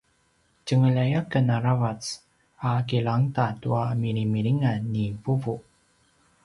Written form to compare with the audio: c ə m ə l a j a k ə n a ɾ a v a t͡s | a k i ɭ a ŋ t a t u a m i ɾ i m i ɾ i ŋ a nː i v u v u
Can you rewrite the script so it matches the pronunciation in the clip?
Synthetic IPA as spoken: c ə ŋ ə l a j a k ə n a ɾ a v a t͡s | a k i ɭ a ŋ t a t u a m i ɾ i m i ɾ i ŋ a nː i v u v u